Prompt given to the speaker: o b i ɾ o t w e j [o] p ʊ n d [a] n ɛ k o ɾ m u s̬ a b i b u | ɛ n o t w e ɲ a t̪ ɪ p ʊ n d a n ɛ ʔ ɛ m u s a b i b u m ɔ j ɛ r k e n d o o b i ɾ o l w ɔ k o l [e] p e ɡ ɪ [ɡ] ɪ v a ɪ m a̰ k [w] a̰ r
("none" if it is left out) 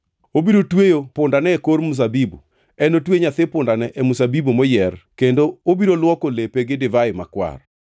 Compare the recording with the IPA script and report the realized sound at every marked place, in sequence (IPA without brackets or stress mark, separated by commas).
o, a, e, d, w